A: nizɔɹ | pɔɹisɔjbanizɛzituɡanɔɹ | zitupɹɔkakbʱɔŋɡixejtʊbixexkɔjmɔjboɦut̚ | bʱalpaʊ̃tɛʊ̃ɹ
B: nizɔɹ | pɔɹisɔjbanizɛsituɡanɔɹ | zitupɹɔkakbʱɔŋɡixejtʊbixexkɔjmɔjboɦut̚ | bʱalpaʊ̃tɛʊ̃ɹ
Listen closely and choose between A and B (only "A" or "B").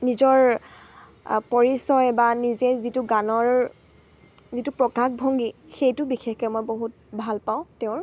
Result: A